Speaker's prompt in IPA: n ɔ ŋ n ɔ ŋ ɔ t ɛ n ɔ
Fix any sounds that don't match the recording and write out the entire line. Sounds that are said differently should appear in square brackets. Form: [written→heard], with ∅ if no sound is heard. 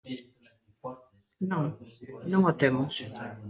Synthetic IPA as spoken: n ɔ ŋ n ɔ ŋ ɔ t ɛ [n→m] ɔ